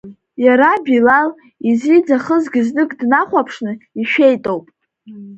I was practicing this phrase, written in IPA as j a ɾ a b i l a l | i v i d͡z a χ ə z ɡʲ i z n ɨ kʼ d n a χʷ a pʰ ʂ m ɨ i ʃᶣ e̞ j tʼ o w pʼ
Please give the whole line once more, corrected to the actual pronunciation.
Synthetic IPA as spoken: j a ɾ a b i l a l | i z i d͡z a χ ə z ɡʲ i z n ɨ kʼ d n a χʷ a pʰ ʂ n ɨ i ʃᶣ e̞ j tʼ o w pʼ